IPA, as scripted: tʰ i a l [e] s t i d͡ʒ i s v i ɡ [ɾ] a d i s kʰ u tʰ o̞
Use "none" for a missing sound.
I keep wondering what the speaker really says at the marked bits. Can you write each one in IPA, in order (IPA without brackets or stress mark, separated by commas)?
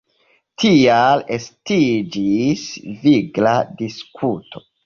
e, l